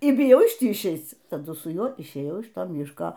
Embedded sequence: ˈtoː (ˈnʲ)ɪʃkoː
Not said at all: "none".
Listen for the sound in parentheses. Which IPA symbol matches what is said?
mʲ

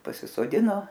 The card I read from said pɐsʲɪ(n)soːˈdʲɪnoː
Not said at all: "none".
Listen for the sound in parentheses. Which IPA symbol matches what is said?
none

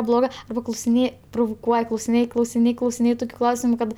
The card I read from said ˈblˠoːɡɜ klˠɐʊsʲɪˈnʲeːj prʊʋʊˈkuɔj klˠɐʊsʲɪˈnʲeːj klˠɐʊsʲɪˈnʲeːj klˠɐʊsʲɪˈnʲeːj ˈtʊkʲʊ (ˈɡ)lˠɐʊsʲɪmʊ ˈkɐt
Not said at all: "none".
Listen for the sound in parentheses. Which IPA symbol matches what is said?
k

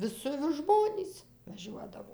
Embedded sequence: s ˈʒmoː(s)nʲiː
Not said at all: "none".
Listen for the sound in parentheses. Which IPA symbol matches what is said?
none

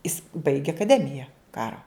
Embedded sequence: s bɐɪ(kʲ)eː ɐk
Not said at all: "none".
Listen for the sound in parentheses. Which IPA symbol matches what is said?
ɡʲ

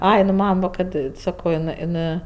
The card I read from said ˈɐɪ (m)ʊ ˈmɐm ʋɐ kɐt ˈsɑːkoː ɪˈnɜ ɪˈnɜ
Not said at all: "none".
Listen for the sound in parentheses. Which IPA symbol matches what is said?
n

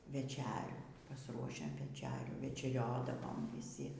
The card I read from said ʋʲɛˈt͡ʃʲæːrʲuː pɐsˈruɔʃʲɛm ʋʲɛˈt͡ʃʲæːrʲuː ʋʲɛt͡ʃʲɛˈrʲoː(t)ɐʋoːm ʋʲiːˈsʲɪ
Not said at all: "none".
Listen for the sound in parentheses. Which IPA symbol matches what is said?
d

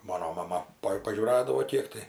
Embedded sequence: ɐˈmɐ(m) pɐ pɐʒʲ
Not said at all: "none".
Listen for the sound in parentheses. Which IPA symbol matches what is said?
none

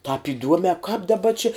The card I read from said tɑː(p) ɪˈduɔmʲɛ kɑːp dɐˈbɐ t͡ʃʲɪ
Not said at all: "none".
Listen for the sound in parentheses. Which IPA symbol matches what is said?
p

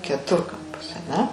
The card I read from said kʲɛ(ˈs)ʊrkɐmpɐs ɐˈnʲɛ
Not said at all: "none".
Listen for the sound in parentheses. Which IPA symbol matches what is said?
t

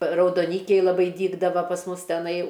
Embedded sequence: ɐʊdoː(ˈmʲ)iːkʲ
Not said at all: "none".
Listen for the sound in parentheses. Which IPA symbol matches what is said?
nʲ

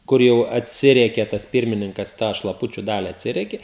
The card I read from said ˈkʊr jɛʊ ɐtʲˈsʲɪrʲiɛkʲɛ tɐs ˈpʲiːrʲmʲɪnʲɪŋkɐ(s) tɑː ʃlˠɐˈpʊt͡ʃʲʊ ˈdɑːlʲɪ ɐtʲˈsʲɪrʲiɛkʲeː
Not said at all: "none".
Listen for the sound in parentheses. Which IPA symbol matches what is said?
s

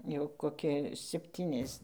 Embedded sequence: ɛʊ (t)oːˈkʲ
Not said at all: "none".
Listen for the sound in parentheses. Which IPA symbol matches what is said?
k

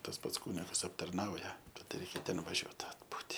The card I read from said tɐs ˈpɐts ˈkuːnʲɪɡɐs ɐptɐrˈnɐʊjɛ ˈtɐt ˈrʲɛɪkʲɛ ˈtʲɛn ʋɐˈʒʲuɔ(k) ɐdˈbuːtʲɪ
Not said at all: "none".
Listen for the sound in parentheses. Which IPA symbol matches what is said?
t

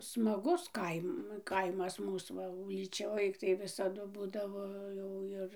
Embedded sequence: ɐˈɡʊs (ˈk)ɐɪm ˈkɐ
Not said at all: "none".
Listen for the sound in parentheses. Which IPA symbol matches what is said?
k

